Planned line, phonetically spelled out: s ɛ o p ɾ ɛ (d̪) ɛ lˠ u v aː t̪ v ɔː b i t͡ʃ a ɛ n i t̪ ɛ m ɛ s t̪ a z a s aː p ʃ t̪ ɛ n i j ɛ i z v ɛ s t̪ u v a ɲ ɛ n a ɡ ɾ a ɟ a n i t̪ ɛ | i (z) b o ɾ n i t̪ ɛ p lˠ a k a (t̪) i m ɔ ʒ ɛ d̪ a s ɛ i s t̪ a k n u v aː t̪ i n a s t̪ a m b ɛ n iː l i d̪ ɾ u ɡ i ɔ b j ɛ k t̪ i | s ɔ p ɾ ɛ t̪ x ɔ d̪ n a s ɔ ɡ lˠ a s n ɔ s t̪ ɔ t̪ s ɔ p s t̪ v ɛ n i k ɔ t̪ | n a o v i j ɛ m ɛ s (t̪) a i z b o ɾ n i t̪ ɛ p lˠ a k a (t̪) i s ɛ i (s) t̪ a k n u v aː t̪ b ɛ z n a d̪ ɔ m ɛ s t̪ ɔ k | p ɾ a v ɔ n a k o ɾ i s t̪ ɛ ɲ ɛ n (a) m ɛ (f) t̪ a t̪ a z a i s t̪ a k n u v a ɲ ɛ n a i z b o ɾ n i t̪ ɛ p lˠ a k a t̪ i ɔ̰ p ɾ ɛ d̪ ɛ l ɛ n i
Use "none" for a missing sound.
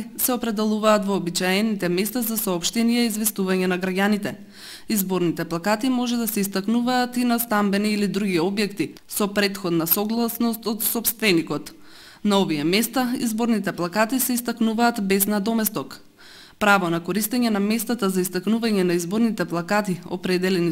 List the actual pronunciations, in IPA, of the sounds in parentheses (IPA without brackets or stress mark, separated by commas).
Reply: d̪, z, t̪, t̪, t̪, s, a, s